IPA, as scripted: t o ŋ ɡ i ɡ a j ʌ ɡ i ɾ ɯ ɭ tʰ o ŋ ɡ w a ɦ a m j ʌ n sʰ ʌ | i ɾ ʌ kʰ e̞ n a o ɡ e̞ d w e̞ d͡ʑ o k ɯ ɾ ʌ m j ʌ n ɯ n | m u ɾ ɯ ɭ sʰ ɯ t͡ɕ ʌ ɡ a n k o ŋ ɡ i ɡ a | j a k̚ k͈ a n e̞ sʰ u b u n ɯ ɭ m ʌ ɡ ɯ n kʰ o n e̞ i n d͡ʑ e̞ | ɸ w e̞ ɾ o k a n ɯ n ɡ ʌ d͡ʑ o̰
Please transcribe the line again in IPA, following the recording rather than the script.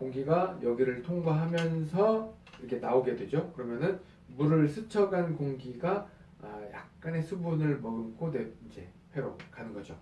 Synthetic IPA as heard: k o ŋ ɡ i ɡ a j ʌ ɡ i ɾ ɯ ɭ tʰ o ŋ ɡ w a ɦ a m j ʌ n sʰ ʌ | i ɾ ʌ kʰ e̞ n a o ɡ e̞ d w e̞ d͡ʑ o k ɯ ɾ ʌ m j ʌ n ɯ n | m u ɾ ɯ ɭ sʰ ɯ t͡ɕʰ ʌ ɡ a n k o ŋ ɡ i ɡ a | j a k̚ k͈ a n e̞ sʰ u b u n ɯ ɭ m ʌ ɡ ɯ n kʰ o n e̞ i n d͡ʑ e̞ | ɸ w e̞ ɾ o k a n ɯ n ɡ ʌ d͡ʑ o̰